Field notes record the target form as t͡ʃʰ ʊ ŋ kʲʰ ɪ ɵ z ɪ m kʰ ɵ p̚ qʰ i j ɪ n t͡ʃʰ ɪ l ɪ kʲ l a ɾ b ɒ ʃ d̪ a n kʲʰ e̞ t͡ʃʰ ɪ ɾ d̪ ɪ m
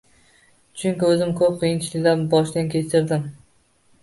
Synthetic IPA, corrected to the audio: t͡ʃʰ ʊ ŋ kʲ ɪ ɵ z ɪ m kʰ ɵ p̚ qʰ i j ɪ n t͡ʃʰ ɪ l ɪ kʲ l a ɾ b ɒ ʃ d̪ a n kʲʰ e̞ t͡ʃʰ ɪ ɾ d̪ ɪ m